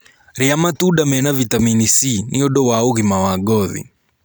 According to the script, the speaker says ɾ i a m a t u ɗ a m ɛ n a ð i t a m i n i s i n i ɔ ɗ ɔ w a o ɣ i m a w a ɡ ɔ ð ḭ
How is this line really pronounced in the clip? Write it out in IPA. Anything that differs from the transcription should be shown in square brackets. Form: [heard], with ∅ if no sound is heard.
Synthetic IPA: ɾ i a m a t u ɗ a m ɛ n a [v] i t a m i n i s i n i ɔ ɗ ɔ w a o ɣ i m a w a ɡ ɔ ð ḭ